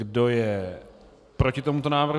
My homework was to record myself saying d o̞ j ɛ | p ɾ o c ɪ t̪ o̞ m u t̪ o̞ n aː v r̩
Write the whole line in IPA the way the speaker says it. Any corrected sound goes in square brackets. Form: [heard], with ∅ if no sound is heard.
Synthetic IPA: d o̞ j ɛ | p ɾ o c ɪ t̪ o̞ m u t̪ o̞ n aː v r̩